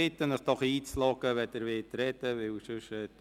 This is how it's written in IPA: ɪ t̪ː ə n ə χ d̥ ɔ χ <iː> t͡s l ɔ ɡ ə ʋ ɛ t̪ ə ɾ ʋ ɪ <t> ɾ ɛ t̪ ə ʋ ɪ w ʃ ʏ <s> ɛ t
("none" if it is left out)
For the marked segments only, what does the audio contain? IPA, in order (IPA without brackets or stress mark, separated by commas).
iː, t, ʃ